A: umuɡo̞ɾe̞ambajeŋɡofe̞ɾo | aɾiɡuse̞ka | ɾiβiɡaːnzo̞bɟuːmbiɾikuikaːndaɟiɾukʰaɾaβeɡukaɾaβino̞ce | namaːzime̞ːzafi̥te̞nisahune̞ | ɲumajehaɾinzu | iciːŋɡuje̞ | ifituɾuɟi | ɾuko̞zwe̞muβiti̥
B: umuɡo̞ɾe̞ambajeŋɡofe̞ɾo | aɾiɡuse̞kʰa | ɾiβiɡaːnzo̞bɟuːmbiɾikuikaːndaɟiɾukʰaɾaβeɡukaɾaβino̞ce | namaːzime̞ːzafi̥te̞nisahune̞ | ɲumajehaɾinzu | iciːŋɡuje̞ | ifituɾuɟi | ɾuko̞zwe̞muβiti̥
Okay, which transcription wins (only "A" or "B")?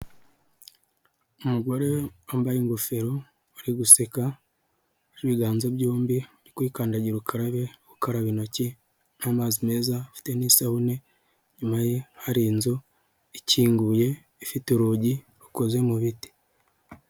A